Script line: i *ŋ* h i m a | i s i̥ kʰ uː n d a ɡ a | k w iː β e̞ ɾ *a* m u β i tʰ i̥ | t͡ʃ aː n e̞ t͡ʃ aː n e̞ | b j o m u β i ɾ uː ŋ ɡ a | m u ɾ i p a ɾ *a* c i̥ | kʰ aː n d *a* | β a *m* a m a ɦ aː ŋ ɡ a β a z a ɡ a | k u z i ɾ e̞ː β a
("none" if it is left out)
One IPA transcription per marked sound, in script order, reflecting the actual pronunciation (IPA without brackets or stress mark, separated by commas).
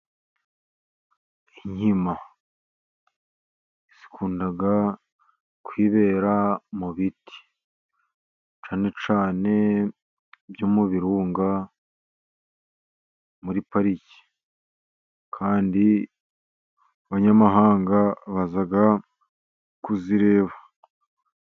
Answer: ɲ, a, i, i, ɲ